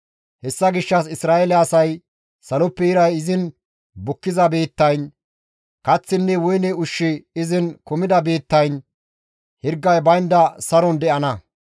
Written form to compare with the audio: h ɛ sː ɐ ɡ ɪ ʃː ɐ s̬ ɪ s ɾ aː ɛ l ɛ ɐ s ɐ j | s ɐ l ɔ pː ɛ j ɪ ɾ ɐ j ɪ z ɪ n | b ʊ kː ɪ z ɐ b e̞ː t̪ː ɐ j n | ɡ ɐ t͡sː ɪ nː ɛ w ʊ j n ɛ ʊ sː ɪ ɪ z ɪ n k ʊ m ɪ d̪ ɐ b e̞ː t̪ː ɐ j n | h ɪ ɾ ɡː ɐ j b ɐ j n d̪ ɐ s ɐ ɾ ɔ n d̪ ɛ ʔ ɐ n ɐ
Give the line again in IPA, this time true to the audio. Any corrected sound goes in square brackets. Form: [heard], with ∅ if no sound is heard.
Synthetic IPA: h ɛ sː ɐ ɡ ɪ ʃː ɐ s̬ ɪ s ɾ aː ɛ l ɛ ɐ s ɐ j | s ɐ l ɔ pː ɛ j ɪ ɾ ɐ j ɪ z ɪ n | b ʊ kː ɪ z ɐ b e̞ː t̪ː ɐ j n | [k] ɐ t͡sː ɪ nː ɛ w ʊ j n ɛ ʊ [ʃː] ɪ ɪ z ɪ n k ʊ m ɪ d̪ ɐ b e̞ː t̪ː ɐ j n | h ɪ ɾ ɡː ɐ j b ɐ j n d̪ ɐ s ɐ ɾ ɔ n d̪ ɛ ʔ ɐ n ɐ